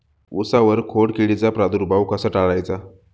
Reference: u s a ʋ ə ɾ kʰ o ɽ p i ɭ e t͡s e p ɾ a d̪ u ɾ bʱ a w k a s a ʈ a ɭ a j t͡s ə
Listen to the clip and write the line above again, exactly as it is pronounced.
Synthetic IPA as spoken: u s a ʋ ə ɾ kʰ o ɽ k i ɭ i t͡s a p ɾ a d̪ u ɾ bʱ a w k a s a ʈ a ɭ a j t͡s a